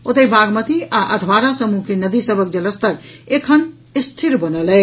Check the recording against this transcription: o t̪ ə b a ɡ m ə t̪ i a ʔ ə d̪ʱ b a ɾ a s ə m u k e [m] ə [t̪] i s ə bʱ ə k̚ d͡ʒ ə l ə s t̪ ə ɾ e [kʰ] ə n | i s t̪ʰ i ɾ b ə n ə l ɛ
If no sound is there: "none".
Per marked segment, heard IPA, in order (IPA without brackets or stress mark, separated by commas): n, d̪, kʰ